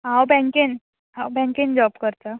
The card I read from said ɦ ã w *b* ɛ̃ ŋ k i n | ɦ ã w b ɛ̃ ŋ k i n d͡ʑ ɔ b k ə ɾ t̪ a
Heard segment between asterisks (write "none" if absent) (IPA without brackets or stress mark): b